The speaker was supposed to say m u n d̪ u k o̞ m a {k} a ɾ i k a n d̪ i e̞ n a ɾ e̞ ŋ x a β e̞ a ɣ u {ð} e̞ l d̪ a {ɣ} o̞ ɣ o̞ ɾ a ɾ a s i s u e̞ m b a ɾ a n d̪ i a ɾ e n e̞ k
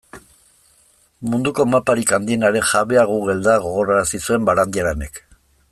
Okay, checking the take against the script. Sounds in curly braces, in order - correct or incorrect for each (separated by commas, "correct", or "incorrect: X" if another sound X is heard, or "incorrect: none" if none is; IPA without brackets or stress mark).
incorrect: p, incorrect: ɣ, correct